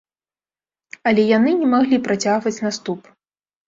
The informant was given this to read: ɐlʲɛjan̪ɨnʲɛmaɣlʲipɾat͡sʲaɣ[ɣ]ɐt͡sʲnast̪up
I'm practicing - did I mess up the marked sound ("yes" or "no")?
yes